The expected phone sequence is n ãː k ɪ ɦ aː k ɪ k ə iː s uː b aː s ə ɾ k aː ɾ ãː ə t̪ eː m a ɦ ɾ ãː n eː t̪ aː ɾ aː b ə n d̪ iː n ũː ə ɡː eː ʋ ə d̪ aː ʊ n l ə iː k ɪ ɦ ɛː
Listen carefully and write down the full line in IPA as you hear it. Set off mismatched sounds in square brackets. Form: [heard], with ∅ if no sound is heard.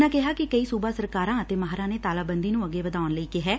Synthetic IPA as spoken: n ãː k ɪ ɦ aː k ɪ k ə iː s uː b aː s ə ɾ k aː ɾ ãː ə t̪ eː m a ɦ ɾ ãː n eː t̪ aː [l] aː b ə n d̪ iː n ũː ə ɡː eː ʋ ə d̪ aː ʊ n l ə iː k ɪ ɦ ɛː